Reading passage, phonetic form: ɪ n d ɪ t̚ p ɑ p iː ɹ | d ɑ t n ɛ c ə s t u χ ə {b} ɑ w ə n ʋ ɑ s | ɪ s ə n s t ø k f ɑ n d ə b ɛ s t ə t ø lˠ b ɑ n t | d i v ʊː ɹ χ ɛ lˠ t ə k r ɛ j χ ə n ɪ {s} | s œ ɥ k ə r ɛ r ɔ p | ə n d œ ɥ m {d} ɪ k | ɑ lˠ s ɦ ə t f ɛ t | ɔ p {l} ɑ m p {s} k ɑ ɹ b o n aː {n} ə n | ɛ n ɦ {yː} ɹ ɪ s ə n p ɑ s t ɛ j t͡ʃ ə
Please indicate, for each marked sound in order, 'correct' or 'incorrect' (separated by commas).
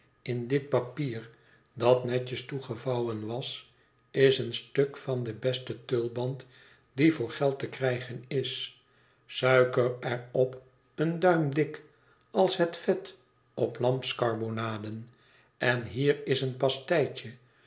incorrect, correct, correct, correct, correct, incorrect, incorrect